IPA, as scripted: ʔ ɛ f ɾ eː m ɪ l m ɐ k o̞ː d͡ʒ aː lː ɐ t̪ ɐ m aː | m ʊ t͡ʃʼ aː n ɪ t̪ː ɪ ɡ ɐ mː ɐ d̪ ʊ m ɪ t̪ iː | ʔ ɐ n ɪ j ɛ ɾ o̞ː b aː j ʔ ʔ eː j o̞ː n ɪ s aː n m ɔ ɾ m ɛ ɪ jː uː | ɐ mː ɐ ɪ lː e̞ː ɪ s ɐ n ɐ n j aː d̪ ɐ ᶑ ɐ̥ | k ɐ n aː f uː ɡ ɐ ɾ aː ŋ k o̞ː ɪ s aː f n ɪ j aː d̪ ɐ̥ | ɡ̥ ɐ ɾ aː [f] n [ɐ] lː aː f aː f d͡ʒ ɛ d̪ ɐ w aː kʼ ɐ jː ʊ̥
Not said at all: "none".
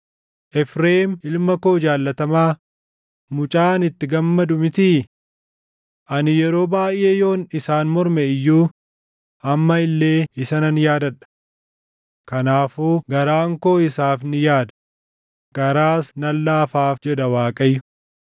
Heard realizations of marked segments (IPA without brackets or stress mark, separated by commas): s, ɐ